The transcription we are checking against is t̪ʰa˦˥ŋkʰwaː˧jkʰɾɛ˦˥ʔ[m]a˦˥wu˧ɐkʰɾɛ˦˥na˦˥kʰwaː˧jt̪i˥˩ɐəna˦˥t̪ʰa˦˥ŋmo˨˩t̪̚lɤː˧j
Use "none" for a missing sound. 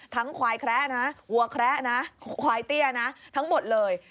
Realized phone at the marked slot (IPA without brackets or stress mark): n